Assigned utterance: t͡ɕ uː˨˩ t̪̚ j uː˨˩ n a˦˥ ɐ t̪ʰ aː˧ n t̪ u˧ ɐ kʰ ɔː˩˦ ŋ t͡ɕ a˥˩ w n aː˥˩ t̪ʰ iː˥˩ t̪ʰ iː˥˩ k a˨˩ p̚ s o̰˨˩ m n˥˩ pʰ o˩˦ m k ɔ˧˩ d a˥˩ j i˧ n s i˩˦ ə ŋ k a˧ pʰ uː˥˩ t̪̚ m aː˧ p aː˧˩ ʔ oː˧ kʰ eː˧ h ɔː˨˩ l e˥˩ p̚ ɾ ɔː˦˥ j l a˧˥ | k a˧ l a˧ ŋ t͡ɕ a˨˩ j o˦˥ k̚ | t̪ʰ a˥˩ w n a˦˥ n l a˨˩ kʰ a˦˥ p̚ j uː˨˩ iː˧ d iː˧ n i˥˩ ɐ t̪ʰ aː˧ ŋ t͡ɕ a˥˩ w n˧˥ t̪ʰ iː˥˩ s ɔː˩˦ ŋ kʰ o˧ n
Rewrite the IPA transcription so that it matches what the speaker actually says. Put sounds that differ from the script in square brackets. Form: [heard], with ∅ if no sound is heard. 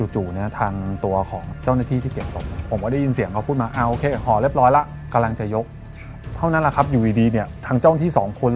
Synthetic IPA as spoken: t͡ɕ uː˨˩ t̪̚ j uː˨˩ n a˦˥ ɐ t̪ʰ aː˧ [ŋ] t̪ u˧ ɐ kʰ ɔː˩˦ ŋ t͡ɕ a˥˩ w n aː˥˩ t̪ʰ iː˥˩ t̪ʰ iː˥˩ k [e˨˩] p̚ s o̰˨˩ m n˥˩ pʰ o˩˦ m k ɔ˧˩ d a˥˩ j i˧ n s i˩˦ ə ŋ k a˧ pʰ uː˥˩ t̪̚ m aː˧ [ʔ] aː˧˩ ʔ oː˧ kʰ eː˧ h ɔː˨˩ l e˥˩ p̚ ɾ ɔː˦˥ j l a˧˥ | k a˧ l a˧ ŋ t͡ɕ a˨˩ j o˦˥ k̚ | t̪ʰ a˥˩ w n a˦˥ n l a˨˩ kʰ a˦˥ p̚ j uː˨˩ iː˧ d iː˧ n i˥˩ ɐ t̪ʰ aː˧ ŋ t͡ɕ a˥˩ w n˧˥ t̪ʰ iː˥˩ s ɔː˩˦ ŋ kʰ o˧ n